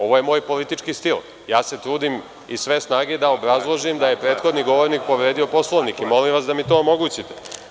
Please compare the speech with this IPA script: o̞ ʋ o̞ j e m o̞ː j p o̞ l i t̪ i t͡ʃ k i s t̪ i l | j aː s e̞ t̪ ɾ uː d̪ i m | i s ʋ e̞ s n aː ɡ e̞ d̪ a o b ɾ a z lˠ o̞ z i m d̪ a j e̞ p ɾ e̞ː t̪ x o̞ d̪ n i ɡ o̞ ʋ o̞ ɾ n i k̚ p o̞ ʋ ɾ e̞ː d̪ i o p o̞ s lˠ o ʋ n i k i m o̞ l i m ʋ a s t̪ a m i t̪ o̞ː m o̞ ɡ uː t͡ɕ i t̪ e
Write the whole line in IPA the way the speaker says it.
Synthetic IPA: o̞ ʋ o̞ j e m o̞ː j p o̞ l i t̪ i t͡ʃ k i s t̪ i l | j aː s e̞ t̪ ɾ uː d̪ i m | i s ʋ e̞ s n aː ɡ e̞ d̪ a o b ɾ a z lˠ o̞ ʒ i m d̪ a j e̞ p ɾ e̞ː t̪ x o̞ d̪ n i ɡ o̞ ʋ o̞ ɾ n i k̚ p o̞ ʋ ɾ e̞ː d̪ i o p o̞ s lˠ o ʋ n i k i m o̞ l i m ʋ a s d̪ a m i t̪ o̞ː m o̞ ɡ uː t͡ɕ i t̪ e